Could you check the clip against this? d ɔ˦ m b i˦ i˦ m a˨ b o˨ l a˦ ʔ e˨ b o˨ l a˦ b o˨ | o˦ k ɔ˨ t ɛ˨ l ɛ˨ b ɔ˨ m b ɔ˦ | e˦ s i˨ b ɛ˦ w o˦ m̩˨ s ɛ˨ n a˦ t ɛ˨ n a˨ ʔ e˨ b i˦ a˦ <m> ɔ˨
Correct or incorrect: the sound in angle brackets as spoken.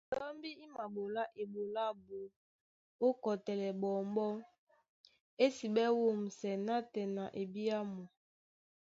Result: correct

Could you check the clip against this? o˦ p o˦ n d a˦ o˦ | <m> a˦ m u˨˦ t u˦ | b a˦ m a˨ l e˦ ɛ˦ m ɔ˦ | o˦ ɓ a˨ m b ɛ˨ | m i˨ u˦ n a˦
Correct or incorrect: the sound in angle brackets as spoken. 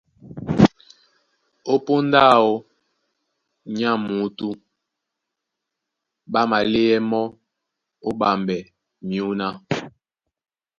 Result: incorrect: ɲ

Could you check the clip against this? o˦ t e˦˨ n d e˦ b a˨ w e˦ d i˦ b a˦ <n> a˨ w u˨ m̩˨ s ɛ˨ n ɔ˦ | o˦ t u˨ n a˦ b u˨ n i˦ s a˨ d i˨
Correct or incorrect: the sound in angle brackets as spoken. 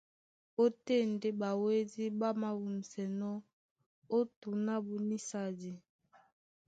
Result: incorrect: m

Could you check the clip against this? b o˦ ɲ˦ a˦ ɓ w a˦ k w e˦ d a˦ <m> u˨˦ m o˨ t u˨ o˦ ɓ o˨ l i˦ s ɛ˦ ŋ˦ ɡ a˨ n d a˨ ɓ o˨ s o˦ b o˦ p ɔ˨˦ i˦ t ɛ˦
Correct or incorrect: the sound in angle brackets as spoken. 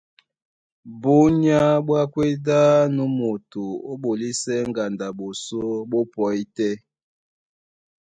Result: incorrect: n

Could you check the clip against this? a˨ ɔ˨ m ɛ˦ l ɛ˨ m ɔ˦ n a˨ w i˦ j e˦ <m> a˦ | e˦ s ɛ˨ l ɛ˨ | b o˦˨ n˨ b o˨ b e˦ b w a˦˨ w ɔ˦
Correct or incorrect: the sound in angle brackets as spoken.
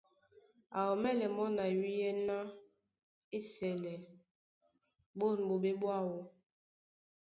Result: incorrect: n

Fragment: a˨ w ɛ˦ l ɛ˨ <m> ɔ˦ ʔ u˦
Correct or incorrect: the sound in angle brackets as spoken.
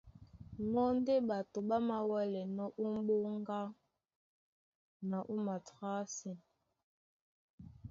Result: incorrect: n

